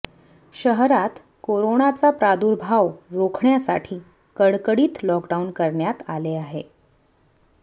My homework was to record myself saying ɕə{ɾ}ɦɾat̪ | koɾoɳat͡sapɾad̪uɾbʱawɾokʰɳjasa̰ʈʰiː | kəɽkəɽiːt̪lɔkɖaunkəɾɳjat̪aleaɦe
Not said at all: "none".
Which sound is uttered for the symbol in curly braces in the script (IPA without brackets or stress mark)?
none